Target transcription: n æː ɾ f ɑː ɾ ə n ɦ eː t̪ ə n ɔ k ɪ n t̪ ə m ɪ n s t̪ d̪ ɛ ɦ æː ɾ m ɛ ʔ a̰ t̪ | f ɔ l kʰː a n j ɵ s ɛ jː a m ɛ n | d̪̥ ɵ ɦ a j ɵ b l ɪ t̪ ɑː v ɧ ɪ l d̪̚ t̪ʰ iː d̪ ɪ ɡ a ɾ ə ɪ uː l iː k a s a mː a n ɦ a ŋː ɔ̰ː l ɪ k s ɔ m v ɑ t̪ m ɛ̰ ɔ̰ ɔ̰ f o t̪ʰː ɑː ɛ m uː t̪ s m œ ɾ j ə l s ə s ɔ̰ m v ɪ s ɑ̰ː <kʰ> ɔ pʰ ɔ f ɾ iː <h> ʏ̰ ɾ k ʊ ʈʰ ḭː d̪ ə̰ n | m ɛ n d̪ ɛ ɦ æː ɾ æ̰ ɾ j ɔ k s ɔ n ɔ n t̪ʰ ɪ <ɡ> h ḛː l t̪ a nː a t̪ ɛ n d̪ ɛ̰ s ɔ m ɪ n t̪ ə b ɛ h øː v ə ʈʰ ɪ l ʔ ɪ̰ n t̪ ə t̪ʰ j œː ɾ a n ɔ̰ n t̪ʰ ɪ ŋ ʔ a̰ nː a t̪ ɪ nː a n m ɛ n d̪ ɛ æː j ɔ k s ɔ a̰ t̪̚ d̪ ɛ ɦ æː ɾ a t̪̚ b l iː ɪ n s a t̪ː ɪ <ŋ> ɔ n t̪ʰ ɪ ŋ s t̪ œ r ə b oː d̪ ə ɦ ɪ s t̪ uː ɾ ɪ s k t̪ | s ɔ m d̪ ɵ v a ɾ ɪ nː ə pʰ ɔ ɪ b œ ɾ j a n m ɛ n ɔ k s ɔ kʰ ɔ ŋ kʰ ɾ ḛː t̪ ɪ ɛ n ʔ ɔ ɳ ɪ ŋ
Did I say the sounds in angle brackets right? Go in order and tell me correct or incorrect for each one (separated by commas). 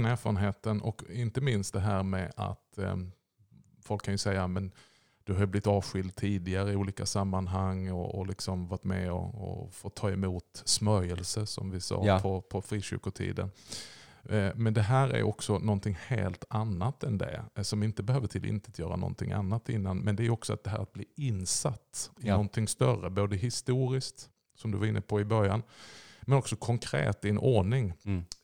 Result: incorrect, incorrect, incorrect, incorrect